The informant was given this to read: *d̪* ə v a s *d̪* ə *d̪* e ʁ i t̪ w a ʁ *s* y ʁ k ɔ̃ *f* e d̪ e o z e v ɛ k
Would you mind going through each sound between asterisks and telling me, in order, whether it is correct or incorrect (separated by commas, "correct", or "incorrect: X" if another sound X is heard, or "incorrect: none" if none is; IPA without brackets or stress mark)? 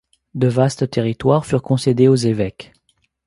correct, incorrect: t̪, incorrect: t̪, incorrect: f, incorrect: s